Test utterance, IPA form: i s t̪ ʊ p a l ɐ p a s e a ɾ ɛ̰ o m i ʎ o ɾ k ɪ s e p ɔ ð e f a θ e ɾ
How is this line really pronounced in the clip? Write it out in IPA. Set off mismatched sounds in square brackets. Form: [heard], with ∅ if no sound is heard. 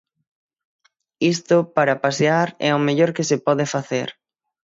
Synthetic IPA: i s t̪ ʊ p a [ɾ] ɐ p a s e a ɾ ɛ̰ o m [e] ʎ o ɾ k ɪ s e p ɔ ð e f a θ e ɾ

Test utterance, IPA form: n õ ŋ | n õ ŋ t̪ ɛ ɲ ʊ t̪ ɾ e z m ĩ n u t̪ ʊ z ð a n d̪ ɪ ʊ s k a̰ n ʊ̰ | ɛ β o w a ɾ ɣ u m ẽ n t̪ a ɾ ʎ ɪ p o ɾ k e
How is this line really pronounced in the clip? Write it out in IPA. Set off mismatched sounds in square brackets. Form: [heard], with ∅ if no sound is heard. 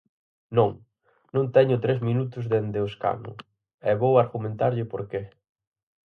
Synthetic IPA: n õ ŋ | n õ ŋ t̪ ɛ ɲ ʊ t̪ ɾ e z m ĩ n u t̪ ʊ z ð [e] n d̪ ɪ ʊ s k a̰ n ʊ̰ | ɛ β o w a ɾ ɣ u m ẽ n t̪ a ɾ ʎ ɪ p o ɾ k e

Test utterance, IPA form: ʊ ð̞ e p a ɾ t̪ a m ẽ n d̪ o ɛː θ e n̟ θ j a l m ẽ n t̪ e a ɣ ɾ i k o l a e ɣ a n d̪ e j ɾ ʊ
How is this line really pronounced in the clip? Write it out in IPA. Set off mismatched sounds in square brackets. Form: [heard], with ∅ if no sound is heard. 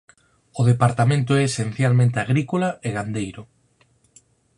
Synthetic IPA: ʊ ð̞ e p a ɾ t̪ a m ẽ n [t̪] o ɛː [s] e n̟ θ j a l m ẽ n t̪ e a ɣ ɾ i k o l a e ɣ a n d̪ e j ɾ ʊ

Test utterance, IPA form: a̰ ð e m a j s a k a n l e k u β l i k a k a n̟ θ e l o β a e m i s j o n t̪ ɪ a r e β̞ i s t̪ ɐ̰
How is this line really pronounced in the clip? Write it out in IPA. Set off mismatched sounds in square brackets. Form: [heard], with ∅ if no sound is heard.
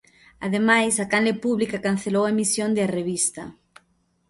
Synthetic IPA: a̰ ð e m a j s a k a n l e [p] u β l i k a k a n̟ θ e l o [w] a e m i s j o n [d̪] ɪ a r e β̞ i s t̪ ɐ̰

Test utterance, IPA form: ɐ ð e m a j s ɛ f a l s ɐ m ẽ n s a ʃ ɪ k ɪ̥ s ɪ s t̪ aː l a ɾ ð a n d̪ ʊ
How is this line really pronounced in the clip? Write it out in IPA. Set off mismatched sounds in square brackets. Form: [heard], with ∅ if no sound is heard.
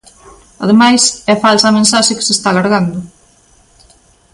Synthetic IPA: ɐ ð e m a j s ɛ f a l s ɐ m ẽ n s a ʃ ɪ k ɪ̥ s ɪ s t̪ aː l a ɾ [ɣ] a n d̪ ʊ

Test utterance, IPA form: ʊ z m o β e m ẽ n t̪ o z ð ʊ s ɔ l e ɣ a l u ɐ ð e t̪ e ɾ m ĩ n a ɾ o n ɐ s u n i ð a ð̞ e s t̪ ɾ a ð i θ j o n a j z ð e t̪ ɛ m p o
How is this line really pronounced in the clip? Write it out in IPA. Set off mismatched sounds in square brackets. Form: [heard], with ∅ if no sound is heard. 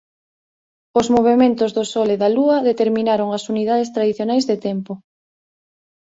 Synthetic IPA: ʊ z m o β e m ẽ n t̪ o z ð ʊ s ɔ l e [ð] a l u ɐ ð e t̪ e ɾ m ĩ n a ɾ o [ŋ] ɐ s u n i ð a ð̞ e s t̪ ɾ a ð i θ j o n a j z ð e t̪ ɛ m p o

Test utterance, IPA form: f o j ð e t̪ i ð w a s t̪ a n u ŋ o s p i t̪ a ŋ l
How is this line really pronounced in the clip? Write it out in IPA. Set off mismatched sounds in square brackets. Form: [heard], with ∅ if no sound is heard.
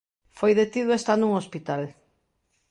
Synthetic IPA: f o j ð e t̪ i ð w [e] s t̪ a n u ŋ o s p i t̪ a [∅] l

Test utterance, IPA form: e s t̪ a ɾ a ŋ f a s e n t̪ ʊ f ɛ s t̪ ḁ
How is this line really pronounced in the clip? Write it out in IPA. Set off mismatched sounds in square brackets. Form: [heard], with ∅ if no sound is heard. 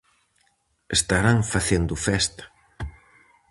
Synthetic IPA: e s t̪ a ɾ a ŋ f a [θ] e n [d̪] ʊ f ɛ s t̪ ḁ

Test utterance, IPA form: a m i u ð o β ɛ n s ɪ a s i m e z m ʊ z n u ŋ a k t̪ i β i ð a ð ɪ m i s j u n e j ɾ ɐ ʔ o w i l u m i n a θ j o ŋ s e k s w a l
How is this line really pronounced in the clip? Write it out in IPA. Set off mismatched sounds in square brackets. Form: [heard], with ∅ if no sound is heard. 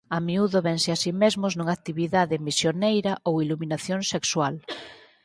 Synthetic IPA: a m i u ð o β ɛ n s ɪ a s i m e z m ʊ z n u ŋ a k t̪ i β i ð a ð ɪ m i s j [o] n e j ɾ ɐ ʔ o w i l u m i n a θ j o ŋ s e k s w a l

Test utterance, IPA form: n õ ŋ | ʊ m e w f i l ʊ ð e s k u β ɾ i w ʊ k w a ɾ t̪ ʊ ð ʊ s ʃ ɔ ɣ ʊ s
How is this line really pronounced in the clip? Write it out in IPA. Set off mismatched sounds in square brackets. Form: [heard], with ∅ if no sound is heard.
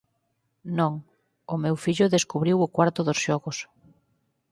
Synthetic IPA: n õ ŋ | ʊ m e w f i [ʎ] ʊ ð e s k u β ɾ i w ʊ k w a ɾ t̪ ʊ ð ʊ s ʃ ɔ ɣ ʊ s

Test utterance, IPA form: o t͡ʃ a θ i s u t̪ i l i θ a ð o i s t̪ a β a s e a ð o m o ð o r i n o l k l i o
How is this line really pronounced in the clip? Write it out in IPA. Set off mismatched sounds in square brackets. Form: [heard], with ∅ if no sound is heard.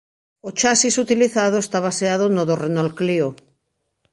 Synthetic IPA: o t͡ʃ a [s] i s u t̪ i l i θ a ð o [e] s t̪ a β a s e a ð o [n] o ð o r [e] n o l k l i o

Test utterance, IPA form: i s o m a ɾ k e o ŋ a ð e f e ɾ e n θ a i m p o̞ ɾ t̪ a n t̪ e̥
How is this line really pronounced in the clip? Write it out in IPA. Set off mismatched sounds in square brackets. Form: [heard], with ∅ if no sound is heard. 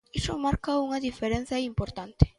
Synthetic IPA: i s o m a ɾ k [a] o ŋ a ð [i] f e ɾ e n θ a i m p o̞ ɾ t̪ a n t̪ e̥

